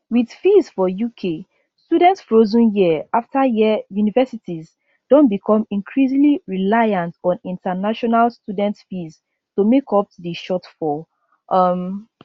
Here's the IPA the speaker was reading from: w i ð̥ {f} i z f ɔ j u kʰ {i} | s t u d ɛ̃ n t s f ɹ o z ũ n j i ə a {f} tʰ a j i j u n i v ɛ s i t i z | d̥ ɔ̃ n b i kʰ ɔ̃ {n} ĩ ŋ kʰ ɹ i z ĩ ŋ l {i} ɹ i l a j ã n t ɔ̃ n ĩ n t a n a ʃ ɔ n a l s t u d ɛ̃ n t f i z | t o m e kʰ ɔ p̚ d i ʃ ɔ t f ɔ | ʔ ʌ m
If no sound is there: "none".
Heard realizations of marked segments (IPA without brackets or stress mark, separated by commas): f, e, f, m, i